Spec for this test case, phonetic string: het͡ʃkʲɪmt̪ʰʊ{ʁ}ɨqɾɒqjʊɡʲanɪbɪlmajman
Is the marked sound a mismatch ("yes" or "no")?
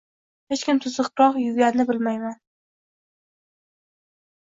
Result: yes